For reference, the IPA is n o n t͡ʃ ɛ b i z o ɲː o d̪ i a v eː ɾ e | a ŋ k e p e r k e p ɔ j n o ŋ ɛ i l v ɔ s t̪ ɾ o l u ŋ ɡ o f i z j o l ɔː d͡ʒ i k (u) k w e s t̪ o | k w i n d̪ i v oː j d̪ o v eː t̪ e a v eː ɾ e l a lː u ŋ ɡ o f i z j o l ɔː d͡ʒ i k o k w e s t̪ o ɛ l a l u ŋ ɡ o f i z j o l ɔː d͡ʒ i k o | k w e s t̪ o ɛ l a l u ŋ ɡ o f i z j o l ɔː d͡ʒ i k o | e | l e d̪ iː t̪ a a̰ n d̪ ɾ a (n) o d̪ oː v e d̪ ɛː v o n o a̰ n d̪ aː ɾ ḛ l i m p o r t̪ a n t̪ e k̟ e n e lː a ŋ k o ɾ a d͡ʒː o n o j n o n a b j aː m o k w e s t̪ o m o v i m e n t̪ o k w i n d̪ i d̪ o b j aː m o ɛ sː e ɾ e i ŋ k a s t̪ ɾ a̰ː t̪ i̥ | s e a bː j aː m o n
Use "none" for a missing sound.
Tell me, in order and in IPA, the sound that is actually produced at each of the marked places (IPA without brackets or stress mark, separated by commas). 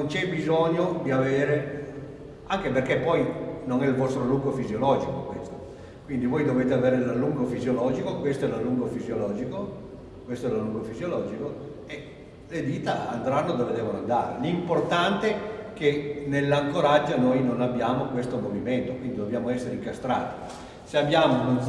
o, nː